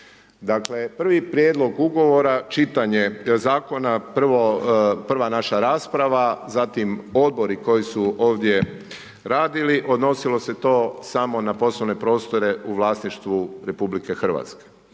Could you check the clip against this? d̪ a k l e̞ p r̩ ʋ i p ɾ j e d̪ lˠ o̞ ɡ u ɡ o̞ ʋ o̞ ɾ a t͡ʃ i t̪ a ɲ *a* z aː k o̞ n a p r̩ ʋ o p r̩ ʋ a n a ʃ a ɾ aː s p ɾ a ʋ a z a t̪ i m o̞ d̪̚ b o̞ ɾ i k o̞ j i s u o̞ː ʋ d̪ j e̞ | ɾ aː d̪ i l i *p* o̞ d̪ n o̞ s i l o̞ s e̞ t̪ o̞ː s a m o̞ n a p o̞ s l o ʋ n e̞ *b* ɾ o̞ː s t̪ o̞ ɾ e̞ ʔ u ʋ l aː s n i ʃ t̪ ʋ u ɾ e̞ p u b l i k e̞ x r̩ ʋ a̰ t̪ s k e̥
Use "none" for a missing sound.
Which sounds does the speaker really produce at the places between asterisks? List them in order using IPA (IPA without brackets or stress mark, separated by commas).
e, ʔ, p